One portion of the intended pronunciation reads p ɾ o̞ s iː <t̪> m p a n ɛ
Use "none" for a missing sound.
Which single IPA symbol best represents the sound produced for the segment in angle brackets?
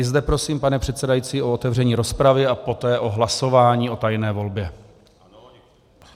none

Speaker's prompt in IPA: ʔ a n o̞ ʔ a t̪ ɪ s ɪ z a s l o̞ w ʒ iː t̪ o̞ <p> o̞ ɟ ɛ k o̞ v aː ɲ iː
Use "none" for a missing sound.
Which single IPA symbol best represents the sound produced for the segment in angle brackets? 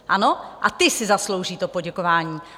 p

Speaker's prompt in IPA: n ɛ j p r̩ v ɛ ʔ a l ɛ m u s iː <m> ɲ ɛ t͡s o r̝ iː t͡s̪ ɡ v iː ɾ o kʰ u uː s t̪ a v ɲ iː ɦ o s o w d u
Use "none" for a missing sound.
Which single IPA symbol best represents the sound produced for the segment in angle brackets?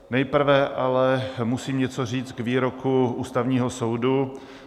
m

